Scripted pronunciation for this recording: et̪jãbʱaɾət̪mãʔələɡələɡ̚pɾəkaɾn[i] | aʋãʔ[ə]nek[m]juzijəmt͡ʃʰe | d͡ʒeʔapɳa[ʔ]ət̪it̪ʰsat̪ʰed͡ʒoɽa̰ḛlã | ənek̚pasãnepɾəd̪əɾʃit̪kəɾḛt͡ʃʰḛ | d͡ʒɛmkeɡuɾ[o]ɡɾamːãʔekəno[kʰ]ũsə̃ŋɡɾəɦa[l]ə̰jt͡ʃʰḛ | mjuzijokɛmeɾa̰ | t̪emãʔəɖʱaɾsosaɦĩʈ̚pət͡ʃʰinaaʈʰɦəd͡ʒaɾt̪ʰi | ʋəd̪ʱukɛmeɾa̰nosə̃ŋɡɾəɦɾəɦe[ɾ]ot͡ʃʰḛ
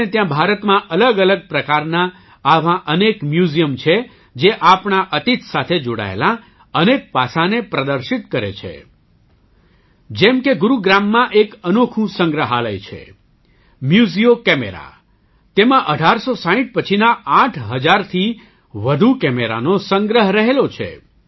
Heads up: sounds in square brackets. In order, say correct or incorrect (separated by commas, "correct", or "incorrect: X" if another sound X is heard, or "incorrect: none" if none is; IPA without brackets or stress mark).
incorrect: a, correct, correct, correct, incorrect: u, correct, correct, incorrect: l